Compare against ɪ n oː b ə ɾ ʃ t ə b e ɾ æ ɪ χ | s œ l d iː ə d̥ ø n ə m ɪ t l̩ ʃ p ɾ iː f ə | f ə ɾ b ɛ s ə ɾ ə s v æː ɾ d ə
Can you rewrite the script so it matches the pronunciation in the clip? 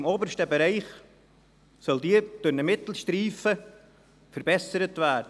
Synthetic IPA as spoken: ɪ m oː b ə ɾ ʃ t ə b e ɾ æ ɪ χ | s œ l d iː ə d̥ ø n ə m ɪ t l̩ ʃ t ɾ iː f ə | f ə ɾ b ɛ s ə ɾ ə t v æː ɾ d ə